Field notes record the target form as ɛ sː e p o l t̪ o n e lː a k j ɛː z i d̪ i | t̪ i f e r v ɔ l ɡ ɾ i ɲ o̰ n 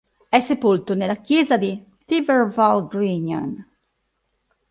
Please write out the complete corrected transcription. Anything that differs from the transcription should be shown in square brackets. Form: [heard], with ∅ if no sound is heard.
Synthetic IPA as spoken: ɛ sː e p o l t̪ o n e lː a k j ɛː z [a] d̪ i | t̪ i [v] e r v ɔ l ɡ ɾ i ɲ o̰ n